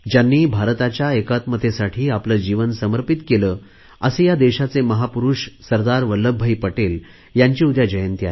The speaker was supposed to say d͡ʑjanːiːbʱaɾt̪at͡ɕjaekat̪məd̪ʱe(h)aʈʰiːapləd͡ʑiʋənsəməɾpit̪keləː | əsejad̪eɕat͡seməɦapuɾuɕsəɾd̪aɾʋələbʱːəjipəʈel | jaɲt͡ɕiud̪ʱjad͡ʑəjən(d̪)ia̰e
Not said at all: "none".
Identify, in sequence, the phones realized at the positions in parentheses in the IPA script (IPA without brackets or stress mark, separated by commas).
s, t̪